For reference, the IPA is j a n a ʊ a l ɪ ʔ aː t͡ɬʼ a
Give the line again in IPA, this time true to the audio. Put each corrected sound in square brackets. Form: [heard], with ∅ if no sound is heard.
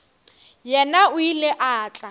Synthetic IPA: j [ɛ] n a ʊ [i] l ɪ ʔ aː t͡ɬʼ a